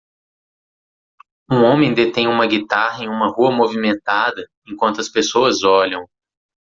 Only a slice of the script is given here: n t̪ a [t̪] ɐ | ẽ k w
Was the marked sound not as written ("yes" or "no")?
yes